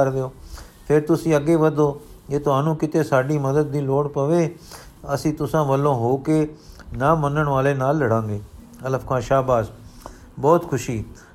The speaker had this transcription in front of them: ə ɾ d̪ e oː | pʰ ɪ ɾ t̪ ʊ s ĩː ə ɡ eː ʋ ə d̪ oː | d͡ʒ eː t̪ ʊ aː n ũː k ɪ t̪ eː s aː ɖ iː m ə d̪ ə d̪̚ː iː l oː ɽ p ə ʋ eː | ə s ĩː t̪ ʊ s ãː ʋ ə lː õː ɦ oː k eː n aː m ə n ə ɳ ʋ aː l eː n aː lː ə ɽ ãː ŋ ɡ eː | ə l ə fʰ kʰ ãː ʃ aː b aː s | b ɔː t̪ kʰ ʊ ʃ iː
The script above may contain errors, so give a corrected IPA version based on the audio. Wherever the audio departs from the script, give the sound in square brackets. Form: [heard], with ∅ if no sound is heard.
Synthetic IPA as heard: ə ɾ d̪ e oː | pʰ ɪ ɾ t̪ ʊ s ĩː ə ɡ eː ʋ ə d̪ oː | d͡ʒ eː t̪ ʊ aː n ũː k ɪ t̪ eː s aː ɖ iː m ə d̪ ə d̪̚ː iː l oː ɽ p ə ʋ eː | ə s ĩː t̪ ʊ s ãː ʋ ə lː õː ɦ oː k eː n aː m ə n ə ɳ ʋ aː l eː n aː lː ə ɽ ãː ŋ ɡ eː | ə l ə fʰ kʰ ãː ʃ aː b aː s | b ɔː t̪ kʰ ʊ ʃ iː